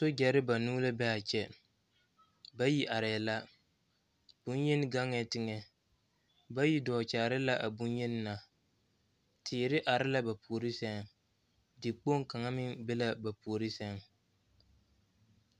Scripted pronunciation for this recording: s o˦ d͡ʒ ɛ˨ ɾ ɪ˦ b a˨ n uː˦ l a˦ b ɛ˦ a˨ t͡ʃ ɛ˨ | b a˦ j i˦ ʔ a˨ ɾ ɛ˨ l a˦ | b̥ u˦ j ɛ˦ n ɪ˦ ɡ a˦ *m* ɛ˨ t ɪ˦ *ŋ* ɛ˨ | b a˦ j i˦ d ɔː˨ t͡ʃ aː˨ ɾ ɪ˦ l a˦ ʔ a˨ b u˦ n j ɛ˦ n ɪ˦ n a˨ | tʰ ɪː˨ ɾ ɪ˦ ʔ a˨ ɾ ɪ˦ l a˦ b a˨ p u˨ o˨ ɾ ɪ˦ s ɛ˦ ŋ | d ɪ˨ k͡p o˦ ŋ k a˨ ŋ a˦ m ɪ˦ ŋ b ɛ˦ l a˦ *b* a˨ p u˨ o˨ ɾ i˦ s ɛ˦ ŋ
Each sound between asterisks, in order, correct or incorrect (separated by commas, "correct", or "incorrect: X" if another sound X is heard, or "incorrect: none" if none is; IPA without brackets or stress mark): incorrect: ŋ, correct, correct